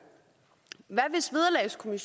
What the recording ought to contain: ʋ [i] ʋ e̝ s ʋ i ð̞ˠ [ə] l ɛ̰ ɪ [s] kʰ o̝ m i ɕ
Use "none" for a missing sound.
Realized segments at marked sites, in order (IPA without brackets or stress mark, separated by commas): æ, ɐ, s